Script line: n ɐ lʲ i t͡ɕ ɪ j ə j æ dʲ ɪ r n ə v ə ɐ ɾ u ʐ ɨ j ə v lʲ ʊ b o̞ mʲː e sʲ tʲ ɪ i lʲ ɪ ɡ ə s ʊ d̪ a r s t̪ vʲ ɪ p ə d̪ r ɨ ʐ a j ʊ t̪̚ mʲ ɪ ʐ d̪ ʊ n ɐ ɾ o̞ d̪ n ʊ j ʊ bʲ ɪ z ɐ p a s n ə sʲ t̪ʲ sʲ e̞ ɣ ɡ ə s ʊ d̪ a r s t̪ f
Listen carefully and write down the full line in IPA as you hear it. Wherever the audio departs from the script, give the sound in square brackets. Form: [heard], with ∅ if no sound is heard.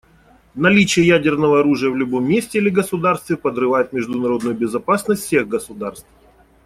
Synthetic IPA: n ɐ lʲ i t͡ɕ ɪ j ə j æ dʲ ɪ r n ə v ə ɐ ɾ u ʐ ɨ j ə v lʲ ʊ b o̞ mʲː e sʲ tʲ ɪ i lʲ ɪ ɡ ə s ʊ d̪ a r s t̪ vʲ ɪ p ə d̪ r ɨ [v] a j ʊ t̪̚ mʲ ɪ ʐ d̪ ʊ n ɐ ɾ o̞ d̪ n ʊ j ʊ bʲ ɪ z ɐ p a s n ə sʲ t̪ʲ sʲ e̞ ɣ ɡ ə s ʊ d̪ a r s t̪ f